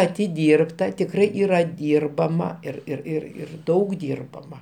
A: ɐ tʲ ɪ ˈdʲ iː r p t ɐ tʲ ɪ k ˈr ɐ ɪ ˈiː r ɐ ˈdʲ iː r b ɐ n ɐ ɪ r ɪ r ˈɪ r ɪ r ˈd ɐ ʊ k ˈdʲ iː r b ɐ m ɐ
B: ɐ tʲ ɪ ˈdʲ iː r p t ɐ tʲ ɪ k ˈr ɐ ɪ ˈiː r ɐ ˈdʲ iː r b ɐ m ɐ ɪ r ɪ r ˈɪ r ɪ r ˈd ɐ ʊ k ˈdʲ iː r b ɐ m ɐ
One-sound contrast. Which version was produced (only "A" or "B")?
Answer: B